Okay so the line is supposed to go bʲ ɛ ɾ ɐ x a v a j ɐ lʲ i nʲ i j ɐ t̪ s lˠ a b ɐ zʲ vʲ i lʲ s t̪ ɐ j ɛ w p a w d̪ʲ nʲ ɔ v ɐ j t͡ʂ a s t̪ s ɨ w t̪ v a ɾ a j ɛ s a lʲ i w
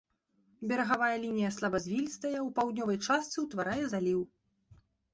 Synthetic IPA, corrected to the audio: bʲ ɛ ɾ ɐ ɣ a v a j ɐ lʲ i nʲ i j ɐ s lˠ a b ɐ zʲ vʲ i lʲ s t̪ ɐ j ɛ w p a w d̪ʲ nʲ ɔ v ɐ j t͡ʂ a s t̪ s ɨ w t̪ v a ɾ a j ɛ z a lʲ i w